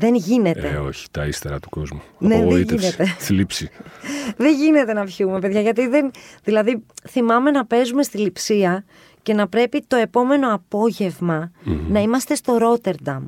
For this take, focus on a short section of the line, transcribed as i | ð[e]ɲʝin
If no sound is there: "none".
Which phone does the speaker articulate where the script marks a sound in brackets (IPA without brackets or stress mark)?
e